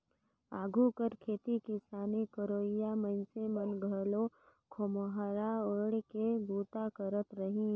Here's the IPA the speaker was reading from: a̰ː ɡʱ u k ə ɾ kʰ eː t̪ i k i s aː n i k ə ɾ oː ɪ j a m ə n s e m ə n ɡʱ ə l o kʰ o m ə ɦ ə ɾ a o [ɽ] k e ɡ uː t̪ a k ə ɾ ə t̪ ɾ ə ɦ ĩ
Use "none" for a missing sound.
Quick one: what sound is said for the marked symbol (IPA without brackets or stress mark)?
ɽ